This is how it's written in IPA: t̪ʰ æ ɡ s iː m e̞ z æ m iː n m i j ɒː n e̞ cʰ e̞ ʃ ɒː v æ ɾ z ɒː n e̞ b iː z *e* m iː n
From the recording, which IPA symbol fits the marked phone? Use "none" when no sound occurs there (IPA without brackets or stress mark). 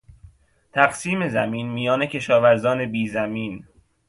æ